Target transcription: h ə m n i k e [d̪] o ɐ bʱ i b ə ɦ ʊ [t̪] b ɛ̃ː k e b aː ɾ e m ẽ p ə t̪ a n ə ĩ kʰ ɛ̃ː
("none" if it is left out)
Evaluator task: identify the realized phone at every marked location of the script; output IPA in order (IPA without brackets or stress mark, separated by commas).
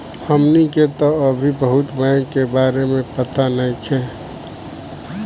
t̪, t̪